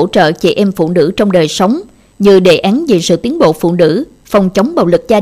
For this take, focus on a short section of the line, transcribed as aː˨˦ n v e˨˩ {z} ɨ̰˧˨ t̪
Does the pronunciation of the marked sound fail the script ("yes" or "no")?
yes